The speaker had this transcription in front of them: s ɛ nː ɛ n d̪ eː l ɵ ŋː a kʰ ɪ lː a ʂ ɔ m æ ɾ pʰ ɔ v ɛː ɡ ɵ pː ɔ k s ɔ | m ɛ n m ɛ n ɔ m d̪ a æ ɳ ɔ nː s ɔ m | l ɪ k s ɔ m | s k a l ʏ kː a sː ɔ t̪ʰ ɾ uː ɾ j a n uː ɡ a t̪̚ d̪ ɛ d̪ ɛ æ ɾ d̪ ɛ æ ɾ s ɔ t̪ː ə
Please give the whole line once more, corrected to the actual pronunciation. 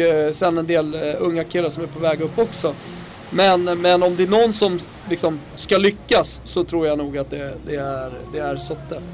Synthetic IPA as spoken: s ɛ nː ɛ n d̪ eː l ɵ ŋː a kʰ ɪ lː a ʂ ɔ m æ ɾ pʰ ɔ v ɛː ɡ ɵ pː ɔ k s ɔ | m ɛ n m ɛ n ɔ m d̪ ɛ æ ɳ ɔ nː s ɔ m | l ɪ k s ɔ m | s k a l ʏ kː a sː ɔ t̪ʰ ɾ uː ɾ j a n uː ɡ a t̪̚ d̪ ɛ d̪ ɛ æ ɾ d̪ ɛ æ ɾ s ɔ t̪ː ə